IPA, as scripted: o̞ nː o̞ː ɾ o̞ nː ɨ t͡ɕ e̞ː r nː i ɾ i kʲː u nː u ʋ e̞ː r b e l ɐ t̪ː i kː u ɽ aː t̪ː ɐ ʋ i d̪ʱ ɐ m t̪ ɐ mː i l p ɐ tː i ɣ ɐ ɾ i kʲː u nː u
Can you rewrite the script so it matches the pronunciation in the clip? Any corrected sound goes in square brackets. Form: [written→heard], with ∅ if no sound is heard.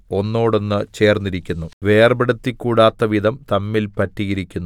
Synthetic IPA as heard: o̞ nː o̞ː [ɾ→ɽ] o̞ nː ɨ t͡ɕ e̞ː r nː i ɾ i kʲː u nː u ʋ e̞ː r b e [l→ɽ] ɐ t̪ː i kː [u→uː] ɽ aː t̪ː ɐ ʋ i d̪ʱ ɐ m t̪ ɐ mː i l p ɐ tː i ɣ ɐ ɾ i kʲː u nː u